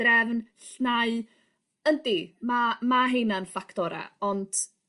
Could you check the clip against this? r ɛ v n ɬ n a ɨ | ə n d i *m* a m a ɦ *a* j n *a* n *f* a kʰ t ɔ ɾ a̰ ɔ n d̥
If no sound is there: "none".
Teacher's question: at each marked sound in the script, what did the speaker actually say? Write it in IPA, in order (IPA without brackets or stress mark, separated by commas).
m, e, a, f